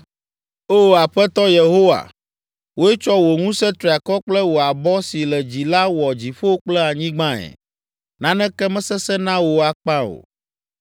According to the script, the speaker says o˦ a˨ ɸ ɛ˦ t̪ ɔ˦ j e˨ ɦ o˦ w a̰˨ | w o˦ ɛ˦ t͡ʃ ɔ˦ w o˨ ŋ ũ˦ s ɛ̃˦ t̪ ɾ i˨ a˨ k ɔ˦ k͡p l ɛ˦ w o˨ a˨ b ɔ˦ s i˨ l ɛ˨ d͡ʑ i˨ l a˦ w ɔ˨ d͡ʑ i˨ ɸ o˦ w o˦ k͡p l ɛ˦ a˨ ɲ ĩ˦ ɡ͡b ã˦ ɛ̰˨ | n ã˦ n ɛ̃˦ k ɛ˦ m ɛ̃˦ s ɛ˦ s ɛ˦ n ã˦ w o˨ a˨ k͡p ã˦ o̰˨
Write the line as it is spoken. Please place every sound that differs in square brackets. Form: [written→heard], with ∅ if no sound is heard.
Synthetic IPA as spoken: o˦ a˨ ɸ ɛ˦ t̪ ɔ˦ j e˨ ɦ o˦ w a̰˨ | w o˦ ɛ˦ t͡ʃ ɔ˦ w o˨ ŋ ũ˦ s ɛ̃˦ t̪ ɾ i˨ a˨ k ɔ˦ k͡p l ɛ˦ w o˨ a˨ b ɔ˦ s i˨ l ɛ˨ d͡ʑ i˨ l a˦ w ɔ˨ d͡ʑ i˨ ɸ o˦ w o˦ k͡p l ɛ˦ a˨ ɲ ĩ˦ ɡ͡b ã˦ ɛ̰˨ | n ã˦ n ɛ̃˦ k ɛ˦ m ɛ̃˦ s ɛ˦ s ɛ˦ n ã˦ w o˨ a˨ k͡p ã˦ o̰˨